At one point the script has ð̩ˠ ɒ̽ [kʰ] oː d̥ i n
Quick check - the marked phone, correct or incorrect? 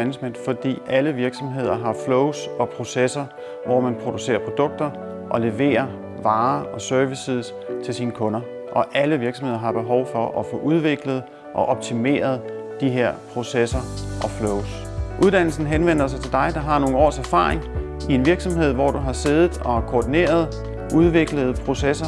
correct